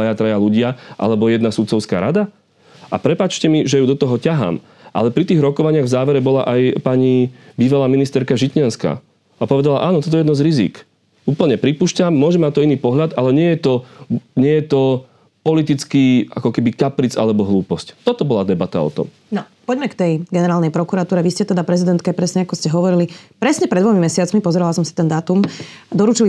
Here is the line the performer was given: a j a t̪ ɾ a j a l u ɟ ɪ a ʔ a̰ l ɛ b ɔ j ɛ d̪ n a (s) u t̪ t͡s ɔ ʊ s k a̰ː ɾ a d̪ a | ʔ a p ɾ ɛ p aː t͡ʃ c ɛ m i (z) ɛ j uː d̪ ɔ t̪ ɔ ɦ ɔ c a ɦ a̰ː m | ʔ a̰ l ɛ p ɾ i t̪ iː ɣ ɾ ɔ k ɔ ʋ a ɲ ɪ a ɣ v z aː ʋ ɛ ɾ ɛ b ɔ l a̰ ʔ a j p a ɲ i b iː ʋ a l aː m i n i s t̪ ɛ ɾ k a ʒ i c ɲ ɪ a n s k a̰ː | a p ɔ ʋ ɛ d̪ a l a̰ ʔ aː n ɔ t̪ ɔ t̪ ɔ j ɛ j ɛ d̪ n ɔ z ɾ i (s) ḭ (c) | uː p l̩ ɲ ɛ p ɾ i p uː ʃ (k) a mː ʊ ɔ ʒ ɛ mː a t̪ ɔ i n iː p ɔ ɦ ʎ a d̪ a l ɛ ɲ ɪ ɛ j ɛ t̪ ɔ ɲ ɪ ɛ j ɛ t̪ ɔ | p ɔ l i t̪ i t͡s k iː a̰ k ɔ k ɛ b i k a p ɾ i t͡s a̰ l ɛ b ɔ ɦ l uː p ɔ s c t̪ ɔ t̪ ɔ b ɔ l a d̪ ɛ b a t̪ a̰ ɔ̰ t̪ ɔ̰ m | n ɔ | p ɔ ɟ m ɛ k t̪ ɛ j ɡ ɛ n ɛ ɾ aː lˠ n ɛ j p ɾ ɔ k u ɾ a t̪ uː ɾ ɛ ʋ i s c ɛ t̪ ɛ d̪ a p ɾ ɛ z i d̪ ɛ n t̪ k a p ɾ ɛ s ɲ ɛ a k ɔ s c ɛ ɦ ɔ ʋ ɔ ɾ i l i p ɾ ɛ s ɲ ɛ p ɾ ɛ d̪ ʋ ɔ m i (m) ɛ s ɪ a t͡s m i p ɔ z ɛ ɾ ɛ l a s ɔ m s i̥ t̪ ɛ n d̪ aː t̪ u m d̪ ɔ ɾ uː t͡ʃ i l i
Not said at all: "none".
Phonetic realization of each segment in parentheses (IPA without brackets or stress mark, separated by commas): s, ʒ, z, k, c, m